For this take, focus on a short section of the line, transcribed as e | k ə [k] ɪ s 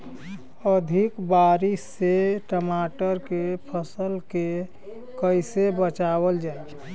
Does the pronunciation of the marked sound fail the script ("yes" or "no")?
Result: yes